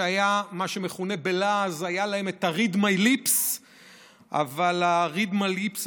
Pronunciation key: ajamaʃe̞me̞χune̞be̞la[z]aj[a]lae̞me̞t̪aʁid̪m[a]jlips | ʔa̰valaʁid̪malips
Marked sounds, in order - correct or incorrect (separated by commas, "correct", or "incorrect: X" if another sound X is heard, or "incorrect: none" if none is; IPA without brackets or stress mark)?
correct, correct, correct